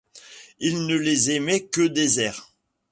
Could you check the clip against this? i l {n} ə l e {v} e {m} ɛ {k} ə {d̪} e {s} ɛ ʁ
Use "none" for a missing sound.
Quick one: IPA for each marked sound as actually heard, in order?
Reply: n, z, m, k, d̪, z

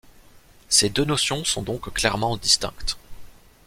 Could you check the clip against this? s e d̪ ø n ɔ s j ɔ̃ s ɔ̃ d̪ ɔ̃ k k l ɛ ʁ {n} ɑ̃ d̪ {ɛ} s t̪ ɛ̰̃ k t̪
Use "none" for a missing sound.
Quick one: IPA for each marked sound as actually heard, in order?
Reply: m, i

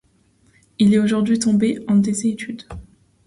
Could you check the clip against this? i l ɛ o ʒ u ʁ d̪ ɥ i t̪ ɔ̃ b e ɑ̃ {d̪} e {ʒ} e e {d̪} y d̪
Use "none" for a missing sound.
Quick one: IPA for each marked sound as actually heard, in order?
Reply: d̪, z, t̪

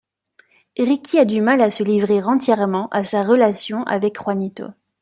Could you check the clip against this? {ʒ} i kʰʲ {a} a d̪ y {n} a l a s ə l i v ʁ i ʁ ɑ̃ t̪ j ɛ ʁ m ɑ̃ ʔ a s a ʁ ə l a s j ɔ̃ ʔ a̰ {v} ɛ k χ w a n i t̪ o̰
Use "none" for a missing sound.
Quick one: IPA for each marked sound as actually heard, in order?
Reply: ʁ, i, m, v

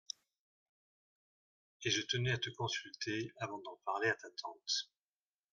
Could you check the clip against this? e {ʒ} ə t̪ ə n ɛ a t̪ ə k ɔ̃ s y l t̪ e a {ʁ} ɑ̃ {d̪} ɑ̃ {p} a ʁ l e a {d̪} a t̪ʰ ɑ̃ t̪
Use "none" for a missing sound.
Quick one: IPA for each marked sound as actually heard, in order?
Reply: ʒ, v, d̪, p, t̪

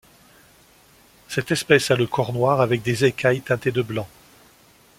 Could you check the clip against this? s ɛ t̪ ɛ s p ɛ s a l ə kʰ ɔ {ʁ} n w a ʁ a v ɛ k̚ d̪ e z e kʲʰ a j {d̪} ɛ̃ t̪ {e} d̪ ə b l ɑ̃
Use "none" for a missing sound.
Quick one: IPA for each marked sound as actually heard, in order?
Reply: ʁ, t̪, e

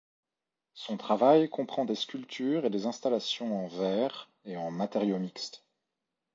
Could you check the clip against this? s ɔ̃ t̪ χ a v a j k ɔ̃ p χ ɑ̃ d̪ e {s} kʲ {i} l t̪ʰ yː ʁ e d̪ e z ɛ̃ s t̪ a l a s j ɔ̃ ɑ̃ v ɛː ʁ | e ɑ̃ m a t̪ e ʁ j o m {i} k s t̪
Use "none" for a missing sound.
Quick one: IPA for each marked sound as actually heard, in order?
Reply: s, y, i

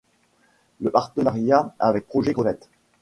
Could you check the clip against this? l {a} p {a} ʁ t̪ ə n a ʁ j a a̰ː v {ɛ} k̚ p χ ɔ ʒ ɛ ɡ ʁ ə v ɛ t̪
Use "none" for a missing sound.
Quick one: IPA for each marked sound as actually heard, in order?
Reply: ə, a, ɛ

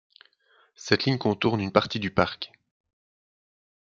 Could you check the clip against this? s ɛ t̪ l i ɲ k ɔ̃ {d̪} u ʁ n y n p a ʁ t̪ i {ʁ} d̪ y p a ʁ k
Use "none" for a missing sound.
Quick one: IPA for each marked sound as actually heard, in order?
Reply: t̪, none

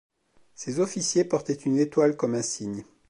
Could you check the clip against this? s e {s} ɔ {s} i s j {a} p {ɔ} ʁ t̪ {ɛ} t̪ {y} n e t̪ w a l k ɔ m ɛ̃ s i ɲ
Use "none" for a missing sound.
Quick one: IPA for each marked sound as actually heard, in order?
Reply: z, f, e, ɔ, ɛ, y

